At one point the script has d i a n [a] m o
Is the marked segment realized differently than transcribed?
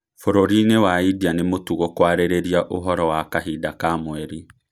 yes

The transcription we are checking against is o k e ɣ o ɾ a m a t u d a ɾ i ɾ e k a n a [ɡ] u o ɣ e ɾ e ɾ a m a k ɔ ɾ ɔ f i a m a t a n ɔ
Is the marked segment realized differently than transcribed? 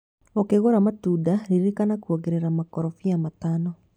yes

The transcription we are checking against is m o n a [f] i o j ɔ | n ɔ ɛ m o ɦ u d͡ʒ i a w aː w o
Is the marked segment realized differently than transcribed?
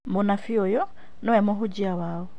no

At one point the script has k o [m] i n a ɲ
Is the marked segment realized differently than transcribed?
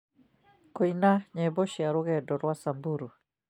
yes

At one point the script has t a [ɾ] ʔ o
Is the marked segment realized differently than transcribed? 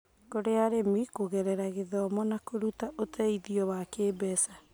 yes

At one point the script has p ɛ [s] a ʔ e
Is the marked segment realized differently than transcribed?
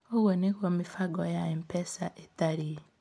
no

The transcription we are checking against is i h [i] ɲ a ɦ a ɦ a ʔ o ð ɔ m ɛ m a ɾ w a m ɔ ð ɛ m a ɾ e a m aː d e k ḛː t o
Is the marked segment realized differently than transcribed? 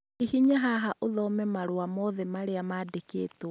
no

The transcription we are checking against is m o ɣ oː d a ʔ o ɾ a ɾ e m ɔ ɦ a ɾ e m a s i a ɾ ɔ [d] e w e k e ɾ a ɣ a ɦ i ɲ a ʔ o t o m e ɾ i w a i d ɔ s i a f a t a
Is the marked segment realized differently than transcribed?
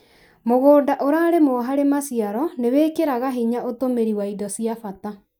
yes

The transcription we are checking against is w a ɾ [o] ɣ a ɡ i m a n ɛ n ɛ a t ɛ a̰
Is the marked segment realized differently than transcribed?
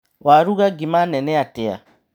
yes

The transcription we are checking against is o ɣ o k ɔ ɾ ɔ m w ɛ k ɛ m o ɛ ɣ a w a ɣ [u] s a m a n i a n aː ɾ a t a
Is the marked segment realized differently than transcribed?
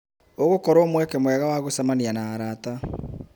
yes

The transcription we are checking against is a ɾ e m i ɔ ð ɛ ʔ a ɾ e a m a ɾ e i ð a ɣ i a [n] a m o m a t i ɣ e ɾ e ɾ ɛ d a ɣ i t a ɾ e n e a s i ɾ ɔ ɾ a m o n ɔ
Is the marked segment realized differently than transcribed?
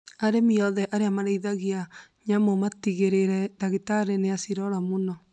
yes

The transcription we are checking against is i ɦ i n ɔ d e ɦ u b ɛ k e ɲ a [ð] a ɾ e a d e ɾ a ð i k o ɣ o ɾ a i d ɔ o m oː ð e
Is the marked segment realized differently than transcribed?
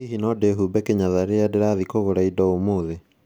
no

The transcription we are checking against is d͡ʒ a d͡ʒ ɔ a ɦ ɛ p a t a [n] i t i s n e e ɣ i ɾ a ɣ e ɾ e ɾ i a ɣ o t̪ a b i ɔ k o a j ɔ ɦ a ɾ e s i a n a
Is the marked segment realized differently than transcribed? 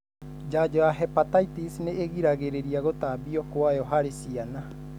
yes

